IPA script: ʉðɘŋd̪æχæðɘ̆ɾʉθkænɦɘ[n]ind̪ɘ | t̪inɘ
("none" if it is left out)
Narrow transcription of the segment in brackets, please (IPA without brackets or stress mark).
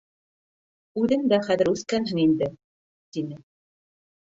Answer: ŋ